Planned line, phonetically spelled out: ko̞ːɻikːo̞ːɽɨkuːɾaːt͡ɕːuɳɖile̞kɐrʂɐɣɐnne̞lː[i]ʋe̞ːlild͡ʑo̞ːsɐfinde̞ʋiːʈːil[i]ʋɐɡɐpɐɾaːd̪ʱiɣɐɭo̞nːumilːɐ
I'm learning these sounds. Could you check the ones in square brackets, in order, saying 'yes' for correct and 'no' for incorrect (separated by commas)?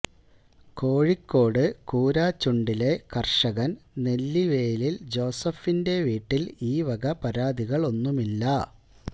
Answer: yes, no